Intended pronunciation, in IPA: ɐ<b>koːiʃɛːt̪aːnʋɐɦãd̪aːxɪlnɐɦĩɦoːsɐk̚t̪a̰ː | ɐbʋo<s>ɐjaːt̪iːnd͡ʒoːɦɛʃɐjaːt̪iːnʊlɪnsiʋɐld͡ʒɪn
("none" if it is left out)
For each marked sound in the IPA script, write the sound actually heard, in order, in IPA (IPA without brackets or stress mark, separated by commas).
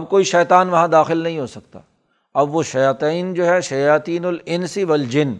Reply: b, ʃ